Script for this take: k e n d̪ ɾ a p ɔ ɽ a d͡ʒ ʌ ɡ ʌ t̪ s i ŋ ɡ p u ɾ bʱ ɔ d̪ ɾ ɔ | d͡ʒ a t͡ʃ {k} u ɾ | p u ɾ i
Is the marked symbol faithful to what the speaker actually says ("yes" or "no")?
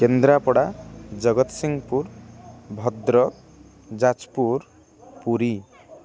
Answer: no